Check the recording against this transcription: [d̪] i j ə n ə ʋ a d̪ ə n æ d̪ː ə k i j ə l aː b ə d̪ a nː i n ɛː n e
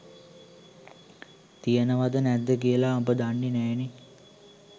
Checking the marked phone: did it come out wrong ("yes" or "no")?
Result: yes